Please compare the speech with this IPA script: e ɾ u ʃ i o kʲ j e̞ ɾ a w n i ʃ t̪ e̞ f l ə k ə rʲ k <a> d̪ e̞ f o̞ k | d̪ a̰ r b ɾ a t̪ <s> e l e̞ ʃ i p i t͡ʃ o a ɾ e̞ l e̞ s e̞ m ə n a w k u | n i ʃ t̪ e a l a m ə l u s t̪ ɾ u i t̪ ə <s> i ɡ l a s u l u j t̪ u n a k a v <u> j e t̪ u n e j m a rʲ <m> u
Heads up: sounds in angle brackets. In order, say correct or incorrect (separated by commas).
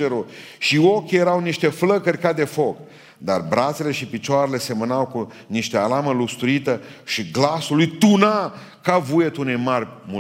correct, correct, incorrect, correct, correct